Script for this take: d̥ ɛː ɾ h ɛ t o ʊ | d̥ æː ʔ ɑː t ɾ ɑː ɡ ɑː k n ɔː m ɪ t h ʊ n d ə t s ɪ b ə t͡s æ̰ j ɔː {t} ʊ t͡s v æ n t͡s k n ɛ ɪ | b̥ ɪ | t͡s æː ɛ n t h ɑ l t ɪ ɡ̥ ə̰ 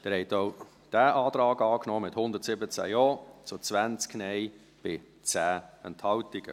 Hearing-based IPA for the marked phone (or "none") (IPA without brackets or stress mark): t͡s